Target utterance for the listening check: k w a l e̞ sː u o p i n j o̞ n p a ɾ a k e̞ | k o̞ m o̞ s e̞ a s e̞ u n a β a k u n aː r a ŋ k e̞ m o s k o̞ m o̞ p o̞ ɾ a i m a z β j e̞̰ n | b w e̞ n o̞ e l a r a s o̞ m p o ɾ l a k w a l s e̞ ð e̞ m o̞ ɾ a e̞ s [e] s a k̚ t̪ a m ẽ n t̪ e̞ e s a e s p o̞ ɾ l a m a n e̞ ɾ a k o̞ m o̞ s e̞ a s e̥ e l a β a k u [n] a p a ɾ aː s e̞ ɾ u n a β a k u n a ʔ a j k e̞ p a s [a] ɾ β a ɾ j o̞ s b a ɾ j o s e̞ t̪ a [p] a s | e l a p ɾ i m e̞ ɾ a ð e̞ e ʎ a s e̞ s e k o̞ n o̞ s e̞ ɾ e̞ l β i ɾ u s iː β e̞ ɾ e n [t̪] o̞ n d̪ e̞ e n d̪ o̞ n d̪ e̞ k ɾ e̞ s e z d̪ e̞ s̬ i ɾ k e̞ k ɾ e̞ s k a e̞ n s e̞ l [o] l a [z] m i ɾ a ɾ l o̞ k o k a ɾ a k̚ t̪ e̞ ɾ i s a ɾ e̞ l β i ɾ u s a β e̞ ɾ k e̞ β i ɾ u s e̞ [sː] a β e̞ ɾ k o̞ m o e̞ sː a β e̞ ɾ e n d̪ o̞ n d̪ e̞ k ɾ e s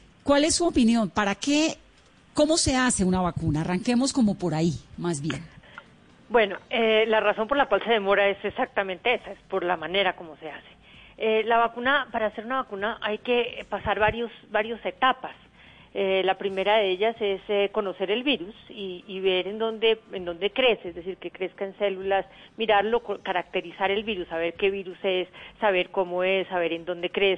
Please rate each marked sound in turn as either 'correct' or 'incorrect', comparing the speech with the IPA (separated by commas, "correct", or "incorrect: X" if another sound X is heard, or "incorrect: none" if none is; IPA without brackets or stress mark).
correct, correct, correct, correct, incorrect: d̪, incorrect: u, incorrect: s, correct